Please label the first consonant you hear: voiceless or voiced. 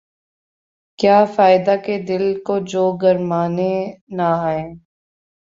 voiceless